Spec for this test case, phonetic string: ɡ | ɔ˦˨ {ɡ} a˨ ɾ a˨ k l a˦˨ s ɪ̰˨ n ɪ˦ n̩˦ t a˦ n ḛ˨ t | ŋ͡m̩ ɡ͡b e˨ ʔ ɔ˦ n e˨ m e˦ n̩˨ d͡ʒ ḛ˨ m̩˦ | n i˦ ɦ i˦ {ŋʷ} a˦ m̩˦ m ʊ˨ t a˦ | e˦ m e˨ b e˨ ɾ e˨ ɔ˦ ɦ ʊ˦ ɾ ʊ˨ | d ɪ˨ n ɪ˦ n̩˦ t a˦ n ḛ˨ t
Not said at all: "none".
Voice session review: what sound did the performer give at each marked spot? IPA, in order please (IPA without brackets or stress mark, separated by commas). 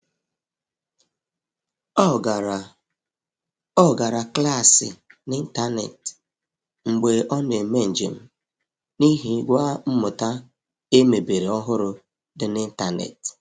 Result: ɡ, ɡʷ